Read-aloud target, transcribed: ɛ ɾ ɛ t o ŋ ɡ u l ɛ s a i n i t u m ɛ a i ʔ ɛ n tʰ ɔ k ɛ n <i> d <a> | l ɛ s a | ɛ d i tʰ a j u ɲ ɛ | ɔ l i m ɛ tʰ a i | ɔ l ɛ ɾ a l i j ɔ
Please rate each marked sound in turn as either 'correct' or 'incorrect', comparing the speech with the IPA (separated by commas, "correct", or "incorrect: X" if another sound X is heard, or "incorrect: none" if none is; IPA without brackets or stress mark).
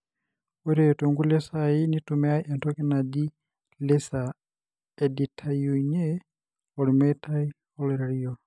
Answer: incorrect: a, incorrect: i